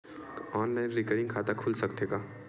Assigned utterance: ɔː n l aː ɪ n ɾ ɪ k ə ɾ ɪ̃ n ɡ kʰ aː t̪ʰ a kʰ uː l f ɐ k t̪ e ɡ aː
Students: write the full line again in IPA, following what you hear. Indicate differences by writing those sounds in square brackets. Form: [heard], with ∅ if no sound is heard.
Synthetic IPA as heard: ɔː n l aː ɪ n ɾ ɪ k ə ɾ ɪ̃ [ŋ] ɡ kʰ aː [t̪] a kʰ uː l [s] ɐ k t̪ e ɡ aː